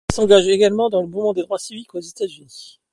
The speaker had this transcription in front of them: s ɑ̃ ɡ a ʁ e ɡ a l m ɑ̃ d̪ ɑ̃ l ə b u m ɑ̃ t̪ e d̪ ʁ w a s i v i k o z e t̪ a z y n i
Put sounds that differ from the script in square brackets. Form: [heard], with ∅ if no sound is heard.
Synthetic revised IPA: s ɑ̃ ɡ a [ʒ] e ɡ a l m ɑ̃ d̪ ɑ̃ l ə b u m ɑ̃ [d̪] e d̪ ʁ w a s i v i k o z e t̪ a z y n i